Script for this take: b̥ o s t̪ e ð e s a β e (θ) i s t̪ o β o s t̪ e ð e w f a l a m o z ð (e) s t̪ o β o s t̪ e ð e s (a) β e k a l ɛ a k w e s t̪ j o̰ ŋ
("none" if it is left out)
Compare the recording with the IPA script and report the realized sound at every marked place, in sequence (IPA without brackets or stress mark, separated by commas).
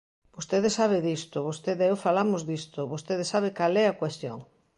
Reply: ð, i, a